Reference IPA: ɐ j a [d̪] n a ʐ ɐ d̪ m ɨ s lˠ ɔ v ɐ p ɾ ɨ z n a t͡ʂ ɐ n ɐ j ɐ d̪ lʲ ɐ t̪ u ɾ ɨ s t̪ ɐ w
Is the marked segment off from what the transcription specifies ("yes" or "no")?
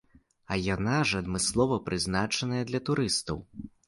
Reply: yes